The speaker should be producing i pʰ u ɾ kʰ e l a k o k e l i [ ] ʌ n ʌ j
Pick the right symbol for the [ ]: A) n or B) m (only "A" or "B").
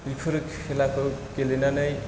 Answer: A